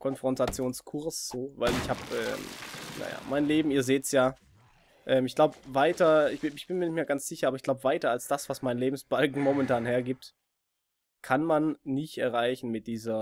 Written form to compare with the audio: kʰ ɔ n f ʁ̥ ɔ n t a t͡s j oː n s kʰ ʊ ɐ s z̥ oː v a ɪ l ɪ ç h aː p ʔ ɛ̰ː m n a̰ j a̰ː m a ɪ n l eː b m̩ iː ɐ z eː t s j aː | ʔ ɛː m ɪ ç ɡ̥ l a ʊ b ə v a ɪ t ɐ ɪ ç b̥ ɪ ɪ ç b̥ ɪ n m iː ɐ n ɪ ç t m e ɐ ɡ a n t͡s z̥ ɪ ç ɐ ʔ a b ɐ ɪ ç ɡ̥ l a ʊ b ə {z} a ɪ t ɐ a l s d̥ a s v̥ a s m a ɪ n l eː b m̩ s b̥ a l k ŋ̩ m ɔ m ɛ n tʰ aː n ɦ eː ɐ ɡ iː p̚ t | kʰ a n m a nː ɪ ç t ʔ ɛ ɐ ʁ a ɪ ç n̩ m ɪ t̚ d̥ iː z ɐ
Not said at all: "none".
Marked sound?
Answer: v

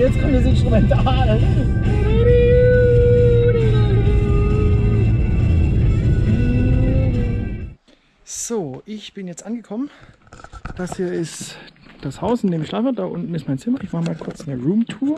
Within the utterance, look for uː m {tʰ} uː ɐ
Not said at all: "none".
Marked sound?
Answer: tʰ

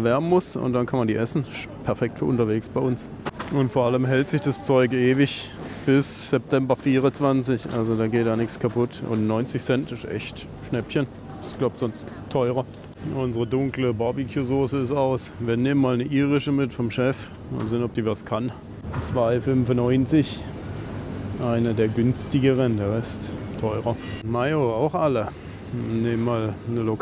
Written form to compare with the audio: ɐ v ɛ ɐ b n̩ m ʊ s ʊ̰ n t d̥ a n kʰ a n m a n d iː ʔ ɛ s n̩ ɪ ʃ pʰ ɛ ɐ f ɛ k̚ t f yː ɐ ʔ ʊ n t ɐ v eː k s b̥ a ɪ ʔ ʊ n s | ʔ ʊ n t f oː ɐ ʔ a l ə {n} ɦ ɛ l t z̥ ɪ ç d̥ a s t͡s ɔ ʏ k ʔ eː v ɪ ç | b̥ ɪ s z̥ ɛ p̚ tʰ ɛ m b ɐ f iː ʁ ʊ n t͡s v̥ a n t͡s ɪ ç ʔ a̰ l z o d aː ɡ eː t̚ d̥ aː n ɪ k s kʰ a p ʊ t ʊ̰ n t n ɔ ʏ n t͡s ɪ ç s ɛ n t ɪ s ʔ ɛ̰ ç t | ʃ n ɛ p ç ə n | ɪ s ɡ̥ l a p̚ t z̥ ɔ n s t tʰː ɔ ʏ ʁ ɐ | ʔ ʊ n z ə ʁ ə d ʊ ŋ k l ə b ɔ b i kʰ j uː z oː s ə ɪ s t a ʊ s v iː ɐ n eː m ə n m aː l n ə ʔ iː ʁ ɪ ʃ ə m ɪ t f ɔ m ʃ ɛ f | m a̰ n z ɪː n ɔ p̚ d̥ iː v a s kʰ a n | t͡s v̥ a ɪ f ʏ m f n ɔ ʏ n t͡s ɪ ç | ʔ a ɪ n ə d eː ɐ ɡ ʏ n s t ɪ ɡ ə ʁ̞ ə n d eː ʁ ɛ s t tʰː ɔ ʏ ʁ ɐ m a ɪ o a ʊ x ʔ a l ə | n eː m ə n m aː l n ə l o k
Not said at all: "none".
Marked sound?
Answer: m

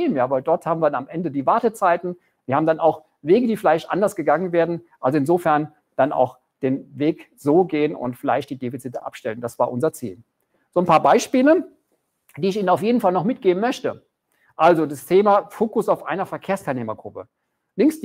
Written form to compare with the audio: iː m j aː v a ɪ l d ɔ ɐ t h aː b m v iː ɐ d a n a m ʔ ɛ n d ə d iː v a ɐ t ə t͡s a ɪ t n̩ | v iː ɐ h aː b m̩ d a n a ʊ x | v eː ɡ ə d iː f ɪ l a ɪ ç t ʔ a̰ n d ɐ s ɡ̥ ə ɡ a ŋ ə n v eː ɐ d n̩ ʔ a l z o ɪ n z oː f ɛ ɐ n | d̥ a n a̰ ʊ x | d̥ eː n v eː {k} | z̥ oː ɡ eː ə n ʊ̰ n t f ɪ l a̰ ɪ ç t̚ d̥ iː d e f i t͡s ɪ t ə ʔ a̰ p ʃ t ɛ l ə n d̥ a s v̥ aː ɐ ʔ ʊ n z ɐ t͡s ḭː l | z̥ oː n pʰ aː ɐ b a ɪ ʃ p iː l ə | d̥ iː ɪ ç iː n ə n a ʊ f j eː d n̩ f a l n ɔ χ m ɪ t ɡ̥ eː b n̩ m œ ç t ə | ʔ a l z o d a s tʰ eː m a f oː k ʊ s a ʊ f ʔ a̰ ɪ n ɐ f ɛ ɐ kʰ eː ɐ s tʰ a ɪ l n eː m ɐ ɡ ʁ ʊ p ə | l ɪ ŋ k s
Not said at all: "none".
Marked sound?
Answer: k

